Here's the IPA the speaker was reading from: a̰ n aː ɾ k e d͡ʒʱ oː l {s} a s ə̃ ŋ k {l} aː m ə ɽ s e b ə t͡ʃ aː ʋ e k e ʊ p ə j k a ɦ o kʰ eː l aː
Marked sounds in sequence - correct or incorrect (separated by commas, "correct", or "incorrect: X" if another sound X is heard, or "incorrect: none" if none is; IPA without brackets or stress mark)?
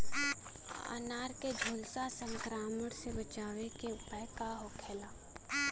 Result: correct, incorrect: ɾ